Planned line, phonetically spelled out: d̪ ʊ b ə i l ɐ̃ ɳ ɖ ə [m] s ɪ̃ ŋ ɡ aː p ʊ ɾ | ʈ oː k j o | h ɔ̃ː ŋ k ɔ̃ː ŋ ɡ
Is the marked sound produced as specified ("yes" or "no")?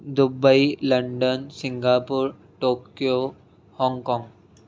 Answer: no